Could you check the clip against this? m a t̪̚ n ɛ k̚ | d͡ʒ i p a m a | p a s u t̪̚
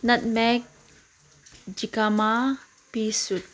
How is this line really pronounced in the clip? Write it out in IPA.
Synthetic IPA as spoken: n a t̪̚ m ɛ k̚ | d͡ʒ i k a m a | p i s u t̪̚

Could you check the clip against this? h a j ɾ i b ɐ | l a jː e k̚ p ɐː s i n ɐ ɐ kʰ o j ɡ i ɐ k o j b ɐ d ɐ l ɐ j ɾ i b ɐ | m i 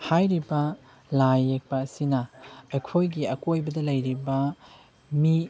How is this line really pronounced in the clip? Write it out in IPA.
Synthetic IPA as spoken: h a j ɾ i b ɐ | l a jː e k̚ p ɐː s i n ɐ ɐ kʰ o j ɡ i ɐ k o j b ɐ d ɐ l ɐ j ɾ i b ɐ | m i

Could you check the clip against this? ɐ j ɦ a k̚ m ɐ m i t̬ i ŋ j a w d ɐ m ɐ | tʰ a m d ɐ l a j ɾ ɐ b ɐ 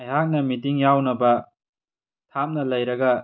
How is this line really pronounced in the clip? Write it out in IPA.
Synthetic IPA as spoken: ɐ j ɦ a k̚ n ɐ m i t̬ i ŋ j a w n ɐ b ɐ | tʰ a m n ɐ l ɐ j ɾ ɐ ɡ ɐ

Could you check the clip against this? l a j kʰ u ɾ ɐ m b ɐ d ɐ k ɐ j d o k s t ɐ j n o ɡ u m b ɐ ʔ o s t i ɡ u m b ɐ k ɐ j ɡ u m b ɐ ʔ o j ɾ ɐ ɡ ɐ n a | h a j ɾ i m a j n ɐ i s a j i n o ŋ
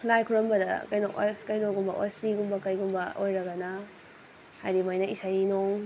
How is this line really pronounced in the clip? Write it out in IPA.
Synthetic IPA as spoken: l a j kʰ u ɾ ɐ m b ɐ d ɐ k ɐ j n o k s k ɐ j n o ɡ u m b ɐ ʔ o s t i ɡ u m b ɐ k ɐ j ɡ u m b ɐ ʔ o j ɾ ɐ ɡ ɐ n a | h a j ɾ i m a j n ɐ i s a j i n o ŋ

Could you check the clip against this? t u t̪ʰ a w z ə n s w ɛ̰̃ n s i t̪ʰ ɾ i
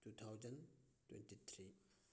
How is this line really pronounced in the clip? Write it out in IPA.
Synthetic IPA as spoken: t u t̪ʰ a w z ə n t w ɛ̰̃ n t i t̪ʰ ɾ i

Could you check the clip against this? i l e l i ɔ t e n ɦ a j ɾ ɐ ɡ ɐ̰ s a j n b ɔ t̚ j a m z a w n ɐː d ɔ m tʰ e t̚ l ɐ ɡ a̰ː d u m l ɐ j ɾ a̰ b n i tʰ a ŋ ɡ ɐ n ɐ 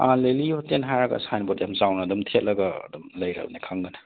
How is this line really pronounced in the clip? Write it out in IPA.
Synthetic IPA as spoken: a l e l i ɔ t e n ɦ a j ɾ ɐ ɡ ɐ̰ s a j n b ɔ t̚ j a m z a w n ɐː d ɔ m tʰ e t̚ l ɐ ɡ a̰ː d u m l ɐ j ɾ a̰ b n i kʰ a ŋ ɡ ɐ n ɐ

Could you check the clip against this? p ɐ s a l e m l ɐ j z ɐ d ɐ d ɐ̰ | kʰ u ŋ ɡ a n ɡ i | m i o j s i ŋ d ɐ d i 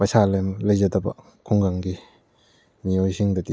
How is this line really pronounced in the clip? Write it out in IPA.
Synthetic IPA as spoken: p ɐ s a l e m l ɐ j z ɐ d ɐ b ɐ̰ | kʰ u ŋ ɡ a ŋ ɡ i | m i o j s i ŋ d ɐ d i

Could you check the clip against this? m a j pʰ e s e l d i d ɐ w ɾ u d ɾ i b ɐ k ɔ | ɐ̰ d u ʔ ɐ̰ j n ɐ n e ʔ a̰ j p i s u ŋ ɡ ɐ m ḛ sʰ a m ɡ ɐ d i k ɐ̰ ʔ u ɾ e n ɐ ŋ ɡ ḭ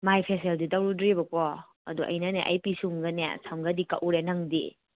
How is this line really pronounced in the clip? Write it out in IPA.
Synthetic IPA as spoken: m a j pʰ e s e l d i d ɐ w ɾ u d ɾ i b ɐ k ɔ | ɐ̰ d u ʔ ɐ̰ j n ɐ n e ʔ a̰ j p i s u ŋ ɡ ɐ n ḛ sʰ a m ɡ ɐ d i k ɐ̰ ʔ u ɾ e n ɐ ŋ d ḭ

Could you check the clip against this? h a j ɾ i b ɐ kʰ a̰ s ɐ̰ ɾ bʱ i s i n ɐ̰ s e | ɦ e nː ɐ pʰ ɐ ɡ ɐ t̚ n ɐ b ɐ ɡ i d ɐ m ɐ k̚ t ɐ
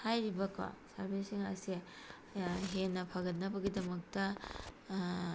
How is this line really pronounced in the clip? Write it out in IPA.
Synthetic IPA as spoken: h a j ɾ i b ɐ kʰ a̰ s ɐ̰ ɾ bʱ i s i ŋ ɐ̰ s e | ɦ e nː ɐ pʰ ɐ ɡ ɐ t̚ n ɐ b ɐ ɡ i d ɐ m ɐ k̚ t ɐ

